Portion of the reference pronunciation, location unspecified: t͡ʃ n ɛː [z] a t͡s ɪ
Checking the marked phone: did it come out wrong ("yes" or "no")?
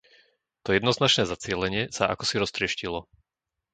no